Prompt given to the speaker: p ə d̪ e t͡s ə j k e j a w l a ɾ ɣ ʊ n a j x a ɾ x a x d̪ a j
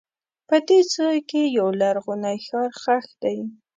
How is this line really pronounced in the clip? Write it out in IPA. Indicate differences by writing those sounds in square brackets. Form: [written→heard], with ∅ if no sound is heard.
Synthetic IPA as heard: p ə d̪ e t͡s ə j k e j a w l a ɾ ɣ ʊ n a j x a ɾ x a x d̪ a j